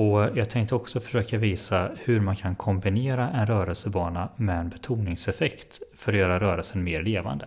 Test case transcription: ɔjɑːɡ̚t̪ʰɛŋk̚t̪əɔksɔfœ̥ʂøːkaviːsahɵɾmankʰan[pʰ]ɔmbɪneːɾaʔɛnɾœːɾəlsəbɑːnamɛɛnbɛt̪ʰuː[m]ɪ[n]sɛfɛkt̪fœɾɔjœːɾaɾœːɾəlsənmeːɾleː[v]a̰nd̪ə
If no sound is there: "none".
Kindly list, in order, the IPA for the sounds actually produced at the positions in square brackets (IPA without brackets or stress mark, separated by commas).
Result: kʰ, n, ŋ, v